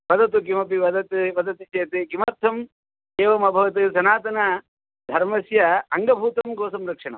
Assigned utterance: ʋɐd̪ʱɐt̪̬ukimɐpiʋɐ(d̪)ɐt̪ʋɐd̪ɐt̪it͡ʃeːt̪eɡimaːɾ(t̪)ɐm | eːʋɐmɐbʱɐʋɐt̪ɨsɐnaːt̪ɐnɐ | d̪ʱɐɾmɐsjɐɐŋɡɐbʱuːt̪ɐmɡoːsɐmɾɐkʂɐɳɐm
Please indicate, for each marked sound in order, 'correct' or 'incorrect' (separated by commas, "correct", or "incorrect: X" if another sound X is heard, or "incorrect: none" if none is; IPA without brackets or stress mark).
correct, incorrect: t̪ʰ